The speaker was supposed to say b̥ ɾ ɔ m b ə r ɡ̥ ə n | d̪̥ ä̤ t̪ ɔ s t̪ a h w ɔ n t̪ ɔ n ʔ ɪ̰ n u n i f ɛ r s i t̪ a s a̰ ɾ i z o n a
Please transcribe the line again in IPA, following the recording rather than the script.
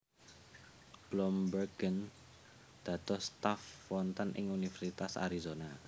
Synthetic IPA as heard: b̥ l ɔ m b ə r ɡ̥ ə n | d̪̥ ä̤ t̪ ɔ s t̪ a f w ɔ n t̪ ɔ n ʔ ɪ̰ ŋ u n i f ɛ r s i t̪ a s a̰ ɾ i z o n a